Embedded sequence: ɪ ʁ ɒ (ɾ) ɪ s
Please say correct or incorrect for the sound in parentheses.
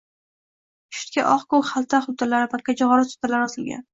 correct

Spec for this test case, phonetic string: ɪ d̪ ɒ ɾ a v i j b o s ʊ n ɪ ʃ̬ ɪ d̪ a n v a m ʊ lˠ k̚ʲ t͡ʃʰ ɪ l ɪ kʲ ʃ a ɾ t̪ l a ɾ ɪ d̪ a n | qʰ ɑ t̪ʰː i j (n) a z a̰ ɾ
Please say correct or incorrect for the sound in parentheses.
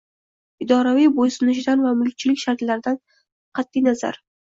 correct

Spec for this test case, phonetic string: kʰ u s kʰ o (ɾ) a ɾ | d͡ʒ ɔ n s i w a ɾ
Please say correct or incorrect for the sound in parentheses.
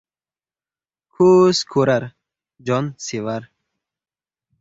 correct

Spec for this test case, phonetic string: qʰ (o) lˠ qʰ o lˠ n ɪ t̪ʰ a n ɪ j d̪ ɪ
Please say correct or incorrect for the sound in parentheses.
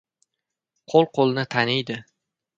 correct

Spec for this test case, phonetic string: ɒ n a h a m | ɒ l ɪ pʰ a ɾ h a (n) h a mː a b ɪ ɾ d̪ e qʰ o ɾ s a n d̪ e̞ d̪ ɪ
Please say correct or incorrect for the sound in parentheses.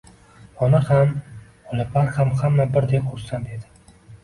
incorrect: m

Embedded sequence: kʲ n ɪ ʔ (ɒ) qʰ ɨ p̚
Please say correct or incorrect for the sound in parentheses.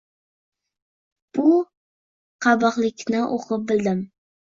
incorrect: o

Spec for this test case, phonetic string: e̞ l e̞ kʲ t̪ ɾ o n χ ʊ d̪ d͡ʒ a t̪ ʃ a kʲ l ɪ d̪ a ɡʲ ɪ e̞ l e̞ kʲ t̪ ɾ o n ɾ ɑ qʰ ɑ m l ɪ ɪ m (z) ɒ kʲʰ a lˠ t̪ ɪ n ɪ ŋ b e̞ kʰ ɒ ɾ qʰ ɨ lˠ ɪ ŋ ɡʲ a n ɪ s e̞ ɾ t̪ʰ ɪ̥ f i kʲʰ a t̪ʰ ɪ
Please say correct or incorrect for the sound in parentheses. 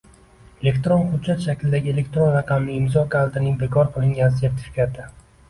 correct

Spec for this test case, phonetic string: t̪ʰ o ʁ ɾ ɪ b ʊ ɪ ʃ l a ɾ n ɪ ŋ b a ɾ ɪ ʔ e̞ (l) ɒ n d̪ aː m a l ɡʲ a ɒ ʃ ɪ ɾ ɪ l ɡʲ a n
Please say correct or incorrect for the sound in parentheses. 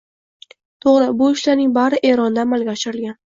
incorrect: ɾ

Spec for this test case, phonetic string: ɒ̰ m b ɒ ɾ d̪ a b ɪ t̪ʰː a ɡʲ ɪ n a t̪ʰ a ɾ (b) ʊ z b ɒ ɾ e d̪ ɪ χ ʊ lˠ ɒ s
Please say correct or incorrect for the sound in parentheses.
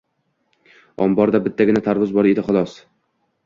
incorrect: v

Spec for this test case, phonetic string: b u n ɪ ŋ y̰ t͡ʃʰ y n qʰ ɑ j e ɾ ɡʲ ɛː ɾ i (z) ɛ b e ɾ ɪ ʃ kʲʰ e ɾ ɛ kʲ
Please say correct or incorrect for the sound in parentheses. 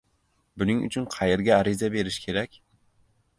correct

